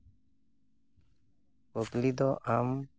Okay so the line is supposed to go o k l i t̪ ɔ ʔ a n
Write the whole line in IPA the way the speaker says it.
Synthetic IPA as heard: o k l i d̪ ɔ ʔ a m